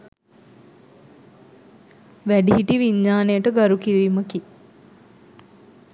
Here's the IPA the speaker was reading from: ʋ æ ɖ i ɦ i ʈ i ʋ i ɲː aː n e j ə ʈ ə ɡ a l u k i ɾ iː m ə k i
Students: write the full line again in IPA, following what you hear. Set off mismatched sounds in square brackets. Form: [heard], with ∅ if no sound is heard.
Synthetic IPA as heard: ʋ æ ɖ i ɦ i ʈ i ʋ i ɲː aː n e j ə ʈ ə ɡ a [ɾ] u k i ɾ iː m ə k i